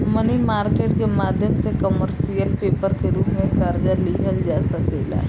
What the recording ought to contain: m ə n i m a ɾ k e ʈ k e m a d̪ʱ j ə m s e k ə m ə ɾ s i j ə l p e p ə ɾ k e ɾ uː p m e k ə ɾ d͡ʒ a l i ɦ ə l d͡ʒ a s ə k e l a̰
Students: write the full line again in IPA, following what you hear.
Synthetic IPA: m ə n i m a ɾ k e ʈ k e m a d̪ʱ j ə m s e k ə m ə ɾ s i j ə l p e p ə ɾ k e ɾ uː p m e k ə ɾ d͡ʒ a l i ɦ ə l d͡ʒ a s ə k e l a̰